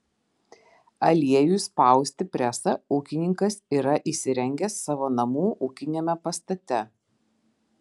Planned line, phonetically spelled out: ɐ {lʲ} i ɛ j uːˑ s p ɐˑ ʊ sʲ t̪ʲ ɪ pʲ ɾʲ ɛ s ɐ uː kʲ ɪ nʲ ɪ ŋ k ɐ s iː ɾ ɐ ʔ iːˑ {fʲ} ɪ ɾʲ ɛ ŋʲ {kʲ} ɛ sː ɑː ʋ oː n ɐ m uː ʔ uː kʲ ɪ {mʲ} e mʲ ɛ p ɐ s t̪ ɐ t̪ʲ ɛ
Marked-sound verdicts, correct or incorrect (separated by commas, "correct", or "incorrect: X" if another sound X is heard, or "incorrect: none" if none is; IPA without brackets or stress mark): correct, incorrect: sʲ, incorrect: ɡʲ, incorrect: nʲ